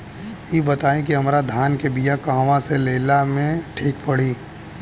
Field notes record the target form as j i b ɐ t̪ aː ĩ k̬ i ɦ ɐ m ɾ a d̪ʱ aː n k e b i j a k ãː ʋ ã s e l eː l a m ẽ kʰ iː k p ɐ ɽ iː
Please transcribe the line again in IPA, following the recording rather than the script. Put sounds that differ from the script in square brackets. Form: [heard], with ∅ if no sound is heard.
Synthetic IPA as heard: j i b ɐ t̪ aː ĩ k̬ i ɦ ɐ m ɾ a d̪ʱ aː n k e b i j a k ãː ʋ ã s e l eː l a m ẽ [ʈʰ] iː k p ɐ ɽ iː